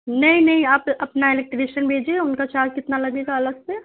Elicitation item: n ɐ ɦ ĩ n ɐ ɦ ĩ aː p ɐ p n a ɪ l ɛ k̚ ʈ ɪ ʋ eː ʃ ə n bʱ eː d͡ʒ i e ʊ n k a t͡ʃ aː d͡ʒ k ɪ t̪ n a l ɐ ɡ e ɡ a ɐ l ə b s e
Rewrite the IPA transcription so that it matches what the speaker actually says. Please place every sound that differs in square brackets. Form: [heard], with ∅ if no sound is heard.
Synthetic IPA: n ɐ ɦ ĩ n ɐ ɦ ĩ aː p ɐ p n a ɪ l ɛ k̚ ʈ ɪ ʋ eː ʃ ə n bʱ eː d͡ʒ i e ʊ n k a t͡ʃ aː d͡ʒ k ɪ t̪ n a l ɐ ɡ e ɡ a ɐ l ə [ɡ] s e